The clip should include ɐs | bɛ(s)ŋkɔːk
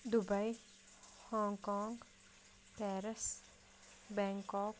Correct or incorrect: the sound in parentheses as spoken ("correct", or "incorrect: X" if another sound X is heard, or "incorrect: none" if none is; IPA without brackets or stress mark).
incorrect: none